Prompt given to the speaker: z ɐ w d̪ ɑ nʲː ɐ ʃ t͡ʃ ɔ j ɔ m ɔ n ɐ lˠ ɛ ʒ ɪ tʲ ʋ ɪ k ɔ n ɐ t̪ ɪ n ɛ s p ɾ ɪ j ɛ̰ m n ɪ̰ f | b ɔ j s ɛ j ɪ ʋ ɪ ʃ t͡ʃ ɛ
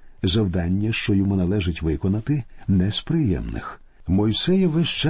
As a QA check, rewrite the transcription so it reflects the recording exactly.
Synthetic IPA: z ɐ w d̪ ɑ nʲː ɐ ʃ t͡ʃ ɔ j ɔ m u n ɐ lˠ ɛ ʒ ɪ tʲ ʋ ɪ k ɔ n ɐ t̪ ɪ n ɛ s p ɾ ɪ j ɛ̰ m n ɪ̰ x | m ɔ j s ɛ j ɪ ʋ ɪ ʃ t͡ʃ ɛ